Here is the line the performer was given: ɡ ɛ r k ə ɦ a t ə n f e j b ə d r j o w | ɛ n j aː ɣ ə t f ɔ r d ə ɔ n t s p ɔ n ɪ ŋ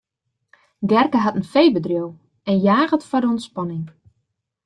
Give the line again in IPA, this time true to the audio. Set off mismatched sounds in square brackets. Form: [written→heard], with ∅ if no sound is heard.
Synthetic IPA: ɡ ɛ r k ə ɦ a t ə n f e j b ə d r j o w | ɛ n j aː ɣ ə t f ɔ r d ə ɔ n t s p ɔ n ɪ ŋ